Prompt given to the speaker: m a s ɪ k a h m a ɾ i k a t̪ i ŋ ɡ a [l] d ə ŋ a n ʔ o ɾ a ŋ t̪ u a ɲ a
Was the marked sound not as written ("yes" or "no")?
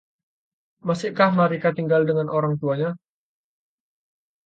no